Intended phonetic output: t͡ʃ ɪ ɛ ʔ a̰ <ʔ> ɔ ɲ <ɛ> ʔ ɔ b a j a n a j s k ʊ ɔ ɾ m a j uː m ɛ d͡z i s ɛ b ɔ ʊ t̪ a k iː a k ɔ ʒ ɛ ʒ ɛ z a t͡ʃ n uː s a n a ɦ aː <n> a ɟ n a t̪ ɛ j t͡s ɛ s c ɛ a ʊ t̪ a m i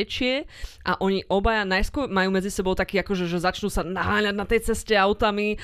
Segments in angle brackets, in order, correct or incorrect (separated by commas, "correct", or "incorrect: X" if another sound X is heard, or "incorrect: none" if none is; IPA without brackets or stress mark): correct, incorrect: i, incorrect: ɲ